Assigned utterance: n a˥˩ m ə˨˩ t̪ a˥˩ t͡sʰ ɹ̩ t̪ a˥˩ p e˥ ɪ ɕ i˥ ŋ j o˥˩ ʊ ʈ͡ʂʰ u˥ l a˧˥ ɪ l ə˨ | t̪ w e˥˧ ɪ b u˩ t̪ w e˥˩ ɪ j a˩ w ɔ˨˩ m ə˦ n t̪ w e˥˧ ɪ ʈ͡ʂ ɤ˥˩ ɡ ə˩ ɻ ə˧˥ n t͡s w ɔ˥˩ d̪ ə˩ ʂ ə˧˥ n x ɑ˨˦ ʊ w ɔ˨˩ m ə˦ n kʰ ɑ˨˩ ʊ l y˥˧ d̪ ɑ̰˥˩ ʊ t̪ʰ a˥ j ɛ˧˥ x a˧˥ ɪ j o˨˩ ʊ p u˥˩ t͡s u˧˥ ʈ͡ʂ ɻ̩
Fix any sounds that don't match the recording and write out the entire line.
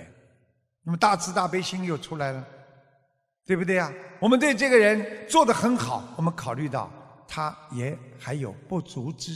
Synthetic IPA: n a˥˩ m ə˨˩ t̪ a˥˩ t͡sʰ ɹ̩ t̪ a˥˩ p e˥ ɪ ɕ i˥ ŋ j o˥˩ ʊ ʈ͡ʂʰ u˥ l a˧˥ ɪ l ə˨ | t̪ w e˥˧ ɪ b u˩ t̪ w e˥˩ ɪ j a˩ w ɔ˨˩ m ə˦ n t̪ w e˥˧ ɪ ʈ͡ʂ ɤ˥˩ ɡ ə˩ ɻ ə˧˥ n t͡s w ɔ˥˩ d̪ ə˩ x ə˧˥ n x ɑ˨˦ ʊ w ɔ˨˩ m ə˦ n kʰ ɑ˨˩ ʊ l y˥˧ t̪ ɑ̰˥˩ ʊ t̪ʰ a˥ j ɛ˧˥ x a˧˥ ɪ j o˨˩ ʊ p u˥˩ t͡s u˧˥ ʈ͡ʂ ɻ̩